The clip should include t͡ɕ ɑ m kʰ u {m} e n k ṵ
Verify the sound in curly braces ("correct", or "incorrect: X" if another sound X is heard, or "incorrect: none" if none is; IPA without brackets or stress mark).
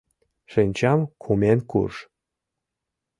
correct